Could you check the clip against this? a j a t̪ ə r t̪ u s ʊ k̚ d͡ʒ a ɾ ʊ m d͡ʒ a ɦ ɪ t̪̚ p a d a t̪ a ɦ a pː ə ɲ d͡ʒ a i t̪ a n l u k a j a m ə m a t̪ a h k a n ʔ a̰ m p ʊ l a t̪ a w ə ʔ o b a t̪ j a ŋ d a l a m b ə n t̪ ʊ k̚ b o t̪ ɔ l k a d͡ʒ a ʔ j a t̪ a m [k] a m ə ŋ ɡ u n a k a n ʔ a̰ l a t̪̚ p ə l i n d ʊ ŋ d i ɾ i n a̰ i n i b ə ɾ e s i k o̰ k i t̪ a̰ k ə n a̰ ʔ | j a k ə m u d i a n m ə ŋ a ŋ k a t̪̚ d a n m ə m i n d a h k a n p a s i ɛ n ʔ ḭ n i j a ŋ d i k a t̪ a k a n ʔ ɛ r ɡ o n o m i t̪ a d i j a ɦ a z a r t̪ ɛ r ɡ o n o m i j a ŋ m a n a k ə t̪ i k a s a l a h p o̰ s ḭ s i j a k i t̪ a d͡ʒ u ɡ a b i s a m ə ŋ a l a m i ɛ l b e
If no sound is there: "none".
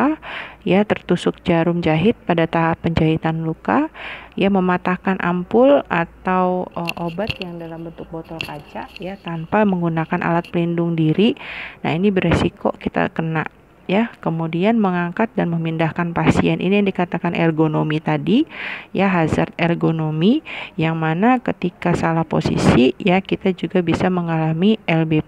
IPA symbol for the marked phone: p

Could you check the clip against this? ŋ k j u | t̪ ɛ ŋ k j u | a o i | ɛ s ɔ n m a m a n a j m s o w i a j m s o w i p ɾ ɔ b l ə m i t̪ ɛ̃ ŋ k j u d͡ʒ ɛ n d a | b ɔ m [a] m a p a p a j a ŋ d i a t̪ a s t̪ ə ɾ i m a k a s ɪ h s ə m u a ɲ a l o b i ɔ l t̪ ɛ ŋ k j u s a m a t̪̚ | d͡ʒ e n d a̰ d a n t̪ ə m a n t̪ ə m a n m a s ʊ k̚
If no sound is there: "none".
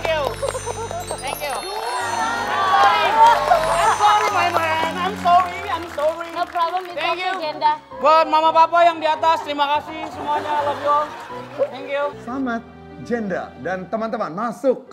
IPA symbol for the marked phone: a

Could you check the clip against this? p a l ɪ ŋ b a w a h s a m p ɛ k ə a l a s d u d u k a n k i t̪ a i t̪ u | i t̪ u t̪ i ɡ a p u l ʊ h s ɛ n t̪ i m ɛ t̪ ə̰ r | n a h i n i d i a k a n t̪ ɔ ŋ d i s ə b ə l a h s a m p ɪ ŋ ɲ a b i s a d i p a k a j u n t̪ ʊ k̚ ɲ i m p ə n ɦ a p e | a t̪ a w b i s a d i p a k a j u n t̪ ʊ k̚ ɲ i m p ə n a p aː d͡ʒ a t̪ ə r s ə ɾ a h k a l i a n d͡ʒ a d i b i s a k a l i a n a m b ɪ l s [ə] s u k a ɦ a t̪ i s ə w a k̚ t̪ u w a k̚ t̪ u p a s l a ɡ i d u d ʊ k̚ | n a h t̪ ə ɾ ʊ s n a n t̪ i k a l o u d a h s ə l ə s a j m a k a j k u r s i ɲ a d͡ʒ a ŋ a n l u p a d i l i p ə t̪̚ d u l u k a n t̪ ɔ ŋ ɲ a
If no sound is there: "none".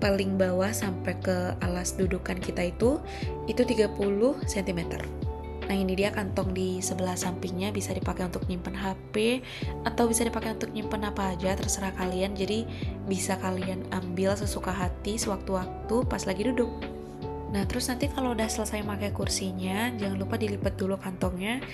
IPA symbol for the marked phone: ə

